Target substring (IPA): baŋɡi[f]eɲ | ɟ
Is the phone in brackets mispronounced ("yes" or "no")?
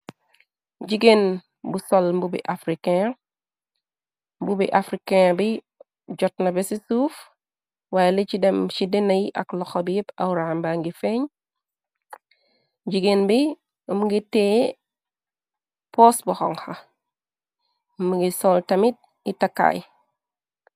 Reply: no